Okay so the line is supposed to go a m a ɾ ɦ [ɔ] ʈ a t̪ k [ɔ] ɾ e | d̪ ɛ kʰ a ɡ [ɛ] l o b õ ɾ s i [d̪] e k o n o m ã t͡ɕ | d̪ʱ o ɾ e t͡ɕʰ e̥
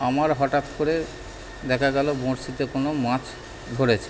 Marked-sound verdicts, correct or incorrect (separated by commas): correct, incorrect, correct, incorrect